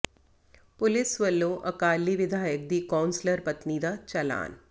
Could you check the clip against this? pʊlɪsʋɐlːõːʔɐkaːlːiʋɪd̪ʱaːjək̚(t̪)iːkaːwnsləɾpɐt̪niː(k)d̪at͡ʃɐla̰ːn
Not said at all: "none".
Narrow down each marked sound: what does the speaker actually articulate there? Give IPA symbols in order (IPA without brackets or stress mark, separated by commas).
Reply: d̪, none